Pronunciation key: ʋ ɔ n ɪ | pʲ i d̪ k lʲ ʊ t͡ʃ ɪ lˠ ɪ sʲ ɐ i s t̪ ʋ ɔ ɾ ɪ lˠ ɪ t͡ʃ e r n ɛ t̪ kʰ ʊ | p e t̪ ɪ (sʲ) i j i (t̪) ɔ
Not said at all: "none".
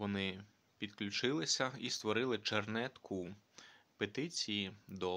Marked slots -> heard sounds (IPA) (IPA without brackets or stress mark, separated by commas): t͡sʲ, d̪